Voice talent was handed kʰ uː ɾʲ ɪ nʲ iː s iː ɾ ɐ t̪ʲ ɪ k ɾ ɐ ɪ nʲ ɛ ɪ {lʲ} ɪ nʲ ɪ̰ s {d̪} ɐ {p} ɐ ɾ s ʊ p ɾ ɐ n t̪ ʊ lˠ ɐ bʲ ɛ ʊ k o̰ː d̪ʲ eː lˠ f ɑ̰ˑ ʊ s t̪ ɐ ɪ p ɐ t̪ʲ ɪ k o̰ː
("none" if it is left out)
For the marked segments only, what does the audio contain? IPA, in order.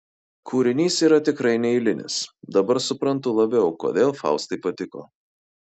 lʲ, d̪, b

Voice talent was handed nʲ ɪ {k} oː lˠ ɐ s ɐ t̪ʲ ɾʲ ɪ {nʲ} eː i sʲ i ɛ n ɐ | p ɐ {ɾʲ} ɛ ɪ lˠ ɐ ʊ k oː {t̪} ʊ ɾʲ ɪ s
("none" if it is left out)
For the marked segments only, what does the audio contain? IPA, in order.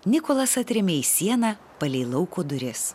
k, mʲ, lʲ, d̪

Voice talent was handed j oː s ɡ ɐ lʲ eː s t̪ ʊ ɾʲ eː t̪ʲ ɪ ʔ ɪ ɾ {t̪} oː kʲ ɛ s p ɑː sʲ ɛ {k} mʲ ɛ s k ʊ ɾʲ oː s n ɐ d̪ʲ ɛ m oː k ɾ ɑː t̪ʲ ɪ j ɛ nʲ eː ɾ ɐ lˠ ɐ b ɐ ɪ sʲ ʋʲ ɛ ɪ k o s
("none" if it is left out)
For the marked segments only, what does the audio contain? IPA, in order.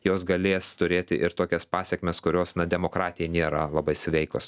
t̪, k

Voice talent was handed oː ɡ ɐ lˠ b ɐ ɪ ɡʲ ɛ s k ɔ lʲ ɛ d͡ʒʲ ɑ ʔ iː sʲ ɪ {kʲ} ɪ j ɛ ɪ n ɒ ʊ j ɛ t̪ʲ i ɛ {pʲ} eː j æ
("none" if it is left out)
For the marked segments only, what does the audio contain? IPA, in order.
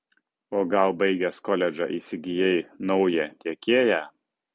ɡʲ, kʲ

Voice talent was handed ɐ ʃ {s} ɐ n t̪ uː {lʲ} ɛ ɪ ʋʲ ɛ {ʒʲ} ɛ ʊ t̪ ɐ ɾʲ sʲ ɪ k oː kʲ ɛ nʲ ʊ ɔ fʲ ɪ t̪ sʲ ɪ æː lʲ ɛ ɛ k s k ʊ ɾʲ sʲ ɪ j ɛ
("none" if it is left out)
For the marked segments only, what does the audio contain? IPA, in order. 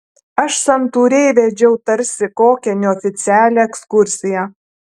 s, ɾʲ, d͡ʒʲ

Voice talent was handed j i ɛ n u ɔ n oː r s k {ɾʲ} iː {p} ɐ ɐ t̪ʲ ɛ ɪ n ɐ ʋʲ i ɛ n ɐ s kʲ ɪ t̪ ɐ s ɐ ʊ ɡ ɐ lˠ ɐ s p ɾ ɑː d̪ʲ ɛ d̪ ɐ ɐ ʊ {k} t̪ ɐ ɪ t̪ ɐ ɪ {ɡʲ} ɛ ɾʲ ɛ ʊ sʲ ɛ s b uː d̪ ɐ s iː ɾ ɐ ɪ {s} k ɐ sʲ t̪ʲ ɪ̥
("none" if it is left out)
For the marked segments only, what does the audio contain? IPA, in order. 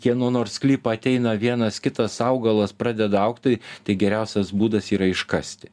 lʲ, p, k, ɡʲ, ʃ

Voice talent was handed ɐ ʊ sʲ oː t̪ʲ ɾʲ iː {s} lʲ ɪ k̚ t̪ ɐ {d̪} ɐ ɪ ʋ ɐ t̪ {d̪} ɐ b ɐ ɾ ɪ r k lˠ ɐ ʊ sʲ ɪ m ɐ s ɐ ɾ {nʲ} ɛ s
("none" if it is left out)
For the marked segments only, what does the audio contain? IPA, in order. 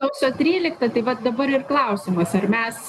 none, t̪, d̪, mʲ

